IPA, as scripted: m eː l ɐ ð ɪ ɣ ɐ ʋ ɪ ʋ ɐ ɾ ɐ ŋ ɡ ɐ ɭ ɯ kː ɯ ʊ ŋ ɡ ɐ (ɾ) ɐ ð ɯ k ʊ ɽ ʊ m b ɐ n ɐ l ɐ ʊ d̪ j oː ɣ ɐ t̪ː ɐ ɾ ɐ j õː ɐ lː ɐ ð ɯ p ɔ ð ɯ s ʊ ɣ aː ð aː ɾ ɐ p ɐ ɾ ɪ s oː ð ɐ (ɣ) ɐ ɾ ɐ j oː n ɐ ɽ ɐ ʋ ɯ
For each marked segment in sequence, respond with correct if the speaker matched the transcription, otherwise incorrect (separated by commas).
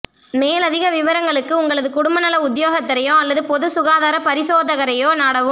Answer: incorrect, correct